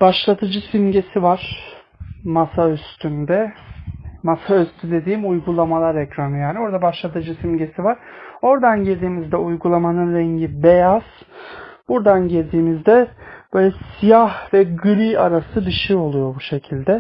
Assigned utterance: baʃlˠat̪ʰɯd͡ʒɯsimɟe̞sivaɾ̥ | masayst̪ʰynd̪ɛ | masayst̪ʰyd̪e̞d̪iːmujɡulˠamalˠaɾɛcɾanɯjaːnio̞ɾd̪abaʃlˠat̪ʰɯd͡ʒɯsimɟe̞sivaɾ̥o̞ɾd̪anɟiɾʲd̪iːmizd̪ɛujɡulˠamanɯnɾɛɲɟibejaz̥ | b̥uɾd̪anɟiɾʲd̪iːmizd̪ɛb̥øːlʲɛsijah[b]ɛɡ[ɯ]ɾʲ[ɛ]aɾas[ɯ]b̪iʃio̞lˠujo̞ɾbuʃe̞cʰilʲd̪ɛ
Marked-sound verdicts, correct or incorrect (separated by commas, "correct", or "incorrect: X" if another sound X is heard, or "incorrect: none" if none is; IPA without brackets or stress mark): incorrect: v, correct, incorrect: i, correct